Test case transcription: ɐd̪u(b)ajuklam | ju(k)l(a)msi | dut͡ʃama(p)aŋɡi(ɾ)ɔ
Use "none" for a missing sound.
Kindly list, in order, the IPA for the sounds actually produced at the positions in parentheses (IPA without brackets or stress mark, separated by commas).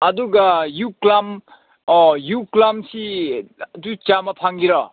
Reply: ɡ, k, a, pʰ, ɾ